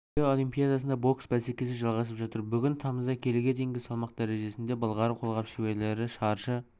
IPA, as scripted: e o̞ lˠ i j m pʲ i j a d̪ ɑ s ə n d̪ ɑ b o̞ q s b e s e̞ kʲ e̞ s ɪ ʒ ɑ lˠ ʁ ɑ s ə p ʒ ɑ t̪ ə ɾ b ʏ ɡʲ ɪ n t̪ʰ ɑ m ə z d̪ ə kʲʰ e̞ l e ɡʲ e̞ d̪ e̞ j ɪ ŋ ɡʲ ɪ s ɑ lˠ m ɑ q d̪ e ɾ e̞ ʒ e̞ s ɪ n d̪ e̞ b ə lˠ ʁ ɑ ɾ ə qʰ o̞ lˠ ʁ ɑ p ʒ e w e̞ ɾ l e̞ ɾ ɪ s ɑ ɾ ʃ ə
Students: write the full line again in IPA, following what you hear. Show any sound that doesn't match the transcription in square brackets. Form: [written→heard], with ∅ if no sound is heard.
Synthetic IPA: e o̞ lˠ i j m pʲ i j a d̪ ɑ s ə n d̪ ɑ b o̞ [q→k] s b [e→æ] s e̞ kʲ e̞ s ɪ ʒ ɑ lˠ ʁ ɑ s ə p ʒ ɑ t̪ ə ɾ b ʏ ɡʲ ɪ n t̪ʰ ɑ m ə z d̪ [ə→ɑ] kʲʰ e̞ l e ɡʲ e̞ d̪ e̞ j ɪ ŋ ɡʲ ɪ s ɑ lˠ m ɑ q d̪ [e→æ] ɾ e̞ ʒ e̞ s ɪ n d̪ e̞ b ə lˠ ʁ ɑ ɾ ə qʰ o̞ lˠ ʁ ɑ p [ʒ→ʃ] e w e̞ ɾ l e̞ ɾ ɪ [s→ʃ] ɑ ɾ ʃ ə

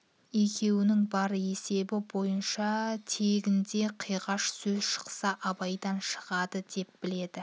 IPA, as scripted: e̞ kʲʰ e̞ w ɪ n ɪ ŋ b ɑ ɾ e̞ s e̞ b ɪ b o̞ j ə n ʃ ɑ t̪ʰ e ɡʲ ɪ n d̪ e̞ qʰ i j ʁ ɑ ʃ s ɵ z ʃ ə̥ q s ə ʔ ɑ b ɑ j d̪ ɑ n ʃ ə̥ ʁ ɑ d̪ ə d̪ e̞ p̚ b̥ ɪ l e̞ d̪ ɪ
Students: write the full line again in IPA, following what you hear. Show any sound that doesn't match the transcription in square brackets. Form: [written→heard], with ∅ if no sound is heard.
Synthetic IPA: e̞ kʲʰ e̞ w ɪ n ɪ ŋ b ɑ ɾ e̞ s e̞ b ɪ b o̞ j ə n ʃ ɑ t̪ʰ e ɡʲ ɪ n d̪ e̞ qʰ i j ʁ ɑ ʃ s ɵ z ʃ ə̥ q s [ə→ɑ] ʔ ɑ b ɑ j d̪ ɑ n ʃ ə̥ ʁ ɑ d̪ ə d̪ e̞ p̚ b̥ ɪ l e̞ d̪ ɪ

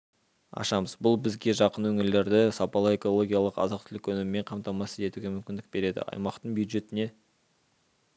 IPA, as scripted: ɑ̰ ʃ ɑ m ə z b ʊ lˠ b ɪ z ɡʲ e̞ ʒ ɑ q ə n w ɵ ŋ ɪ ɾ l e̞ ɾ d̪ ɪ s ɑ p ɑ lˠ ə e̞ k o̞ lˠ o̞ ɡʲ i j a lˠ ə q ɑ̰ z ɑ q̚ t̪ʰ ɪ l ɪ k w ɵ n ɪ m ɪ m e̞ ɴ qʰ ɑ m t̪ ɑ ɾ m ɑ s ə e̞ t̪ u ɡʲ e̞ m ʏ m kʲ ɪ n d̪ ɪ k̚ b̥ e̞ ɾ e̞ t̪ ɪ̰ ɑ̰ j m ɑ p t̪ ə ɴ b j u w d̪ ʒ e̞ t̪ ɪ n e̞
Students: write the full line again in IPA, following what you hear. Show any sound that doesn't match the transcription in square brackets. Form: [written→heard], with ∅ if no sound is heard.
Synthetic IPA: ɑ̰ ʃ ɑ m ə z b ʊ lˠ b ɪ z ɡʲ e̞ ʒ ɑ q ə n w ɵ ŋ ɪ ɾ l e̞ ɾ d̪ ɪ s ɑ p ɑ lˠ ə e̞ k o̞ lˠ o̞ ɡʲ i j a lˠ ə q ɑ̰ z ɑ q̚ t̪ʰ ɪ l ɪ k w ɵ n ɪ m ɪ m e̞ ɴ qʰ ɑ m t̪ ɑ [ɾ→∅] m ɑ s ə e̞ t̪ u ɡʲ e̞ m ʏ m kʲ ɪ n d̪ ɪ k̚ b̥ e̞ ɾ e̞ [t̪→d̪] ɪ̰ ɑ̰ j m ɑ [p→q] t̪ ə ɴ b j u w d̪ ʒ e̞ t̪ ɪ n e̞

